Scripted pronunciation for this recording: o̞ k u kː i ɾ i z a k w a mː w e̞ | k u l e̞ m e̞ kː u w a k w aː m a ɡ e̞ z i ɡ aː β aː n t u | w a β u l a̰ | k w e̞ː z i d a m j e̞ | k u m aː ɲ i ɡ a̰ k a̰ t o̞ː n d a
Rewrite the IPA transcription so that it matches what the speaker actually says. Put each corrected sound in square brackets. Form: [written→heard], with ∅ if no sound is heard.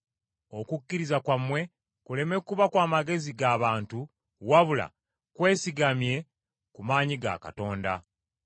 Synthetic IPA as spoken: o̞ k u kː i ɾ i z a k w a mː w e̞ | k u l e̞ m e̞ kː u [w→β] a k w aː m a ɡ e̞ z i ɡ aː β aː n t u | w a β u l a̰ | k w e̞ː [z→s] i [d→ɡ] a m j e̞ | k u m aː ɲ i ɡ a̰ k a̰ t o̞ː n d a